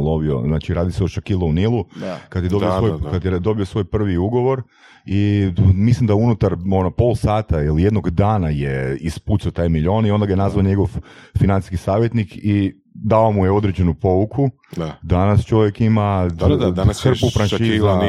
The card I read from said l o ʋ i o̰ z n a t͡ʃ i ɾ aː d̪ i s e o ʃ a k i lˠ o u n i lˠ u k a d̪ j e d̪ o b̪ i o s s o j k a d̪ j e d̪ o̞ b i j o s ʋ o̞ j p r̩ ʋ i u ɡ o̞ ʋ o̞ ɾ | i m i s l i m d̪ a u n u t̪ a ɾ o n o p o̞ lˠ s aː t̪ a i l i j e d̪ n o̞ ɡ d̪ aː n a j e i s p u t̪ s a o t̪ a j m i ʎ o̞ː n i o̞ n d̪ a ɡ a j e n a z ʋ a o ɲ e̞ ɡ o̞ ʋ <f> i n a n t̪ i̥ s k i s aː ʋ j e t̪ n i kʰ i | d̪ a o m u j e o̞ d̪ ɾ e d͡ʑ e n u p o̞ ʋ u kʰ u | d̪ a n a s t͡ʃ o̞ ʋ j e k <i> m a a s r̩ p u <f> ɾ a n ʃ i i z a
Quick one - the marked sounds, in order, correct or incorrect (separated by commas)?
correct, correct, correct